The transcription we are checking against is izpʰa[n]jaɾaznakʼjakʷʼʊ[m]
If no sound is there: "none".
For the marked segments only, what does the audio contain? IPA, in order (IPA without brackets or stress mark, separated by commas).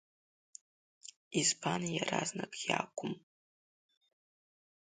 n, m